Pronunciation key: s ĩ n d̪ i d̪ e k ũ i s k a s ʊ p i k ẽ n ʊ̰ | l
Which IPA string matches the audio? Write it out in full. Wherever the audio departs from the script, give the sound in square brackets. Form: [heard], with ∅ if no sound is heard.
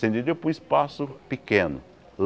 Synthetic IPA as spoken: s [ẽ] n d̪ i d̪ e [p] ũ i s [p] a s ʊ p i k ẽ n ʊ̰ | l

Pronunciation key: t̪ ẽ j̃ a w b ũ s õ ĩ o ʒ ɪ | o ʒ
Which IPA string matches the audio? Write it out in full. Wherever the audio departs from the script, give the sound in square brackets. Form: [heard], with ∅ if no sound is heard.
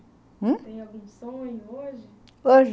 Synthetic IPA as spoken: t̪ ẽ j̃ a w [ɡ] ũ s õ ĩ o ʒ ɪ | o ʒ

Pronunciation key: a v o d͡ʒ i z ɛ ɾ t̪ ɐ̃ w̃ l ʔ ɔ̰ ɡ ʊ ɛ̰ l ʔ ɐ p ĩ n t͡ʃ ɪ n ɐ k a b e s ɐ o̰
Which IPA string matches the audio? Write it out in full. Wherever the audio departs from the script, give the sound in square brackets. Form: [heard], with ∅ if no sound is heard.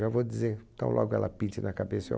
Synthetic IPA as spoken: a v o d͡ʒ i z [e] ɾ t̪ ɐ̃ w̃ l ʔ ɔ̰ ɡ ʊ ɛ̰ l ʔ ɐ p ĩ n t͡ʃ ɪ n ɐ k a b e s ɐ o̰

